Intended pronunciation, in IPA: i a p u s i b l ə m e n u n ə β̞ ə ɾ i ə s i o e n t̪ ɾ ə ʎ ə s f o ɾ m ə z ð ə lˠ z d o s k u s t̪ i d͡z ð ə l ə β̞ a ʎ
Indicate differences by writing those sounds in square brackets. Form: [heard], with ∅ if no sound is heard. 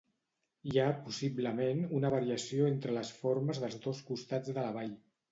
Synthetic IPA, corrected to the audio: i a p u s i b l ə m e n u n ə β̞ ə ɾ i ə s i o e n t̪ ɾ ə [l] ə s f o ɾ m ə z ð ə lˠ z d o s k u s t̪ [a] d͡z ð ə l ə β̞ a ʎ